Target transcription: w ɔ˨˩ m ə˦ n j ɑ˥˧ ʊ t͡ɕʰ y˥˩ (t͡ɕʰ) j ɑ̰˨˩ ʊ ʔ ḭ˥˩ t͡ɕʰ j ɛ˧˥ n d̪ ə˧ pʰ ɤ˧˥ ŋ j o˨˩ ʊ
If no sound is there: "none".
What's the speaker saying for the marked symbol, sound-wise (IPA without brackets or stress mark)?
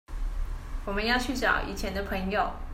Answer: t͡ɕ